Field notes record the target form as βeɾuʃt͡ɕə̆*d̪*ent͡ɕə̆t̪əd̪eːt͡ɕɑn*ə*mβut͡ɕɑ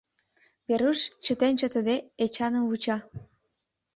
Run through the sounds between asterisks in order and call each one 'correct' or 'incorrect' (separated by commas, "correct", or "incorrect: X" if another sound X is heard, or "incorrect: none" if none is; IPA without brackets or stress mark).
incorrect: t̪, correct